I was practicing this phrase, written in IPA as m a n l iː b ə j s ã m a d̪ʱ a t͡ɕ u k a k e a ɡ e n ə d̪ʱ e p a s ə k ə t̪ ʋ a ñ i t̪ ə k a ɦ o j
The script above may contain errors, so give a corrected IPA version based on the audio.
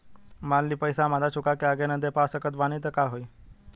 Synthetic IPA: m a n l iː p ə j s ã m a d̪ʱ a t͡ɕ u k a k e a ɡ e n ə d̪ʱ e p a s ə k ə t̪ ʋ a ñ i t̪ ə k a ɦ o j